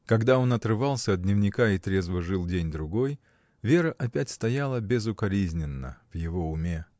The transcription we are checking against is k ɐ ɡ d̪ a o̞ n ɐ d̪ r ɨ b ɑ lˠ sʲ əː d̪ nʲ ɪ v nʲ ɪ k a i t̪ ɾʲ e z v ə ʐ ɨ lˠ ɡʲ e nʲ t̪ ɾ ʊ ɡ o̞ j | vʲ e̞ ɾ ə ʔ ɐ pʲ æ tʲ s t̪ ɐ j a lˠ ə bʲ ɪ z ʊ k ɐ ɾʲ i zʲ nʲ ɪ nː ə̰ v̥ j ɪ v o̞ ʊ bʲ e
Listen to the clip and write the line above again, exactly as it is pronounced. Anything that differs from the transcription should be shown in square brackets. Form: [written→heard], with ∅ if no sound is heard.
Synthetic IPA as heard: k ɐ ɡ d̪ a o̞ n ɐ [d̪→t̪] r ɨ [b→v] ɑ lˠ sʲ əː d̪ nʲ ɪ v nʲ ɪ k a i t̪ ɾʲ e z v ə ʐ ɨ lˠ [ɡʲ→dʲ] e nʲ [t̪→d̪] ɾ ʊ ɡ o̞ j | vʲ e̞ ɾ ə ʔ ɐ pʲ æ tʲ s t̪ ɐ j a lˠ ə bʲ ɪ z ʊ k ɐ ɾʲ i zʲ nʲ ɪ nː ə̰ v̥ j ɪ v o̞ ʊ [bʲ→mʲ] e

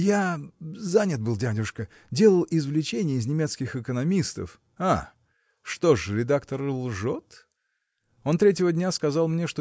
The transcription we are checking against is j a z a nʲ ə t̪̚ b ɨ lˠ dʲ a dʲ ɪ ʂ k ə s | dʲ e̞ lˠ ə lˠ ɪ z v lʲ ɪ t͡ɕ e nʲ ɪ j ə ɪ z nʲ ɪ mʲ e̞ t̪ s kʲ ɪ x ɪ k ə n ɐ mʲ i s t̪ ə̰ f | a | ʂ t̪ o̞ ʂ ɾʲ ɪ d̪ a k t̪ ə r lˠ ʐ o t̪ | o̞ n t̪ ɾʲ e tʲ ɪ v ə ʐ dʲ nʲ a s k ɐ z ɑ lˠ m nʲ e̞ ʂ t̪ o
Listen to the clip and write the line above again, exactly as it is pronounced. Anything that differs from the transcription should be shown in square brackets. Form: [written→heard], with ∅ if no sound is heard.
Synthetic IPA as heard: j a z a nʲ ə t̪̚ b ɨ lˠ dʲ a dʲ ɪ ʂ k ə [s→∅] | dʲ e̞ lˠ ə lˠ ɪ z v lʲ ɪ t͡ɕ e nʲ ɪ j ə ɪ z nʲ ɪ mʲ e̞ t̪ s kʲ ɪ x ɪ k ə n ɐ mʲ i s t̪ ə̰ f | a | ʂ t̪ o̞ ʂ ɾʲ ɪ d̪ a k t̪ ə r lˠ ʐ o t̪ | o̞ n t̪ ɾʲ e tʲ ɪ v ə [ʐ→∅] dʲ nʲ a s k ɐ z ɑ lˠ m nʲ e̞ ʂ t̪ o

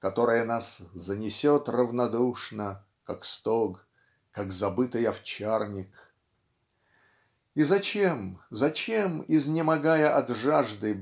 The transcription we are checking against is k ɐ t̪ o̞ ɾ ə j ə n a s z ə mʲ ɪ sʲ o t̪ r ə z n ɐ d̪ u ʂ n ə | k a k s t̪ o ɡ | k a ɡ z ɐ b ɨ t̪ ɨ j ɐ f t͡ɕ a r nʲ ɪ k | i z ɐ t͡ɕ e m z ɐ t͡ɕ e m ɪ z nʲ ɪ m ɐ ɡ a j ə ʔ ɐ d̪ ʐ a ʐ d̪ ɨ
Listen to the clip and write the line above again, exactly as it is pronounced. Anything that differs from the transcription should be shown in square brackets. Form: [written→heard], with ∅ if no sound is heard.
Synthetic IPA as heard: k ɐ t̪ o̞ ɾ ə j ə n a s z ə [mʲ→nʲ] ɪ sʲ o t̪ r ə [z→v] n ɐ d̪ u ʂ n ə | k a k s t̪ o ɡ | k a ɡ z ɐ b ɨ t̪ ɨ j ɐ f t͡ɕ a r nʲ ɪ k | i z ɐ t͡ɕ e m z ɐ t͡ɕ e m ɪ z nʲ ɪ m ɐ ɡ a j ə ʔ ɐ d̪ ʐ a ʐ d̪ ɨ

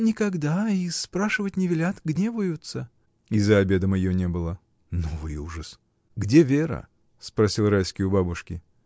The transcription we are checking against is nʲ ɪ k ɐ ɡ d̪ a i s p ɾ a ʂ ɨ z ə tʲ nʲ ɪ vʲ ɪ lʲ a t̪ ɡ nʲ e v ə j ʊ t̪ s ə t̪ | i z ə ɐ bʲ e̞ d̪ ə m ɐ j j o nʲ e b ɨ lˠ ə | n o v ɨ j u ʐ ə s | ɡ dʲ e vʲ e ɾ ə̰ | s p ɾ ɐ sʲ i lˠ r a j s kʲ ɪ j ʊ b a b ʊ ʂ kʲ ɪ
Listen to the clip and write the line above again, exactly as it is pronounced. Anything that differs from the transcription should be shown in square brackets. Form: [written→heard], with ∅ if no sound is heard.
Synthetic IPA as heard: nʲ ɪ k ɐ ɡ d̪ a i s p ɾ a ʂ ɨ [z→v] ə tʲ nʲ ɪ vʲ ɪ lʲ a t̪ ɡ nʲ e v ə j ʊ t̪ s ə [t̪→∅] | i z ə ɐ bʲ e̞ d̪ ə m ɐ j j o nʲ e b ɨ lˠ ə | n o v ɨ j u ʐ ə s | ɡ dʲ e vʲ e ɾ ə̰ | s p ɾ ɐ sʲ i lˠ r a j s kʲ ɪ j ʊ b a b ʊ ʂ kʲ ɪ

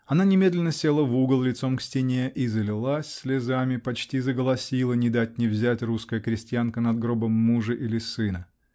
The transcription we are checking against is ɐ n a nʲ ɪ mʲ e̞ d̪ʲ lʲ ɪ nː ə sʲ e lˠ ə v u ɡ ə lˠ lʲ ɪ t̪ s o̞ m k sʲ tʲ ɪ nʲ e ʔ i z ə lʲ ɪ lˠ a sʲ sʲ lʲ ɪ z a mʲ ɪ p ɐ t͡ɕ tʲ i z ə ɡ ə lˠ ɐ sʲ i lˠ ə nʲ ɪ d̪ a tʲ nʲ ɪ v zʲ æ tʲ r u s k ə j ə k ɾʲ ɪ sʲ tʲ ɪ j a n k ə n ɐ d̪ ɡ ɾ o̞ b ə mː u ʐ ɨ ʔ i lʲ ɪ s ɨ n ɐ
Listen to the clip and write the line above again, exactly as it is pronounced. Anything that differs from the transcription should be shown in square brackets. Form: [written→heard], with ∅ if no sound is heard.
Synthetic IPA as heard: ɐ n a nʲ ɪ mʲ e̞ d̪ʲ lʲ ɪ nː ə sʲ e lˠ ə v u ɡ ə lˠ lʲ ɪ t̪ s o̞ m k sʲ tʲ ɪ nʲ e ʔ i z ə lʲ ɪ lˠ a sʲ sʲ lʲ ɪ z a mʲ ɪ p ɐ t͡ɕ tʲ i z ə ɡ ə lˠ ɐ sʲ i lˠ ə nʲ ɪ d̪ a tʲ nʲ ɪ v zʲ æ tʲ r u s k ə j ə k ɾʲ ɪ sʲ tʲ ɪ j a n k ə n ɐ d̪ ɡ ɾ o̞ b ə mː u ʐ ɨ ʔ i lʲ ɪ s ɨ n [ɐ→ə]

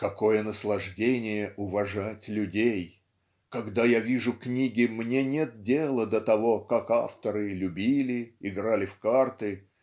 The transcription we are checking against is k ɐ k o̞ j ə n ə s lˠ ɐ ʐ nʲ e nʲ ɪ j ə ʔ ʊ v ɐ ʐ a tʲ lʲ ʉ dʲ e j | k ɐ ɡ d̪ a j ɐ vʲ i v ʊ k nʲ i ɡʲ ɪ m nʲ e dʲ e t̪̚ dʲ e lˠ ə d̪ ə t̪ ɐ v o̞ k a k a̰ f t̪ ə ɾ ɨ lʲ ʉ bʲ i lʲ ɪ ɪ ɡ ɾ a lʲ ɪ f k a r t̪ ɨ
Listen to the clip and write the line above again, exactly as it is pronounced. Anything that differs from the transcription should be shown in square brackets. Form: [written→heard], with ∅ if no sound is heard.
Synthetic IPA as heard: k ɐ k o̞ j ə n ə s lˠ ɐ ʐ [nʲ→dʲ] e nʲ ɪ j ə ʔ ʊ v ɐ ʐ a tʲ lʲ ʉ dʲ e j | k ɐ ɡ d̪ a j [ɐ→a] vʲ i [v→ʐ] ʊ k nʲ i ɡʲ ɪ m nʲ e [dʲ→nʲ] e t̪̚ dʲ e lˠ ə d̪ ə t̪ ɐ v o̞ k a k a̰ f t̪ ə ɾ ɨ lʲ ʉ bʲ i lʲ ɪ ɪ ɡ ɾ a lʲ ɪ f k a r t̪ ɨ

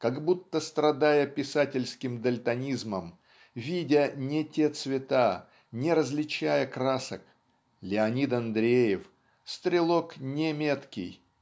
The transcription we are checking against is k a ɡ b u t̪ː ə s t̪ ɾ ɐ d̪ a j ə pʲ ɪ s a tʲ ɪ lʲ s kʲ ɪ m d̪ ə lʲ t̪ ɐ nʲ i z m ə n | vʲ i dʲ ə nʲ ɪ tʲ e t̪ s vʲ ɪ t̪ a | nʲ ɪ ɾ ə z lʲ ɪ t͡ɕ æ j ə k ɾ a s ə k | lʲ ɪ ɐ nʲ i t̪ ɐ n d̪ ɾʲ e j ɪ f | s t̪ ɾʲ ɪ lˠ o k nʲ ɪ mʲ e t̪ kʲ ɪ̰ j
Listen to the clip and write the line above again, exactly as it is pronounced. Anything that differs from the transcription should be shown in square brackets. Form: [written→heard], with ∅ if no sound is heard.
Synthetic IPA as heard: k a ɡ b u t̪ː ə s t̪ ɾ ɐ d̪ a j ə pʲ ɪ s a tʲ ɪ lʲ s kʲ ɪ m d̪ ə lʲ t̪ ɐ nʲ i z m ə [n→m] | vʲ i dʲ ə nʲ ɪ tʲ e t̪ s vʲ ɪ t̪ a | nʲ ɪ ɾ ə z lʲ ɪ t͡ɕ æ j ə k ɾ a s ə k | lʲ ɪ ɐ nʲ i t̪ ɐ n d̪ ɾʲ e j ɪ f | s t̪ ɾʲ ɪ lˠ o k nʲ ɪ mʲ e t̪ kʲ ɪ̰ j

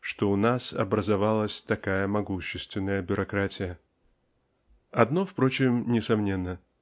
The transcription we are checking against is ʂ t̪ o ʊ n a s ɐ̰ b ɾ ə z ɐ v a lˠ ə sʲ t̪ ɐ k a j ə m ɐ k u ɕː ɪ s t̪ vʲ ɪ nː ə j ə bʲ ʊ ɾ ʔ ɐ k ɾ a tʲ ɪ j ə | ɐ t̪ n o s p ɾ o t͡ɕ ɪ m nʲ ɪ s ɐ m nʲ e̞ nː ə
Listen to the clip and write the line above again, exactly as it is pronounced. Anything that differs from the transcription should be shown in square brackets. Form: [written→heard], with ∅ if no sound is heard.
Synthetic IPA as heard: ʂ t̪ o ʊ n a s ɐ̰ b ɾ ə z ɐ v a lˠ ə sʲ t̪ ɐ k a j ə m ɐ [k→ɡ] u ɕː ɪ s t̪ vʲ ɪ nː ə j ə bʲ ʊ ɾ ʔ ɐ k ɾ a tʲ ɪ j ə | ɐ [t̪→d̪] n o [s→f] p ɾ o t͡ɕ ɪ m nʲ ɪ s ɐ m nʲ e̞ nː ə

